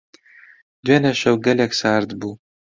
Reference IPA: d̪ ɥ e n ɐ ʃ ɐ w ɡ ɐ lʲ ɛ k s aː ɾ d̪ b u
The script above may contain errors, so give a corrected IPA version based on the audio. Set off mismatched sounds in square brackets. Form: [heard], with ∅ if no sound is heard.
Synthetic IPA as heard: d̪ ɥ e n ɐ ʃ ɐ w ɡ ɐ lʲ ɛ k s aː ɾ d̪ b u